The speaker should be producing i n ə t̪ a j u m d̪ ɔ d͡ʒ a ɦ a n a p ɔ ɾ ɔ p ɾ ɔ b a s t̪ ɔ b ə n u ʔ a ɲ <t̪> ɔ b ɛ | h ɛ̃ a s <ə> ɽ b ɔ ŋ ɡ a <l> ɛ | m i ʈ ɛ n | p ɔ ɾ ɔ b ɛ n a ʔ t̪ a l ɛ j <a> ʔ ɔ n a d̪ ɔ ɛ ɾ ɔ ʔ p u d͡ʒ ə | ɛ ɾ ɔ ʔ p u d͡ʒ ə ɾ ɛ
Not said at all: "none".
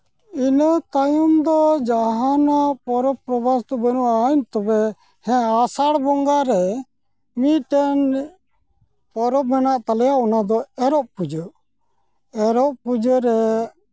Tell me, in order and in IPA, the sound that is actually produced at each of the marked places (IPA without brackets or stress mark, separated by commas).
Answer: t̪, a, ɾ, a